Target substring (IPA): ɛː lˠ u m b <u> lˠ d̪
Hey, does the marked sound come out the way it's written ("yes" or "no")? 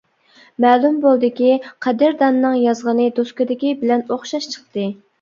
no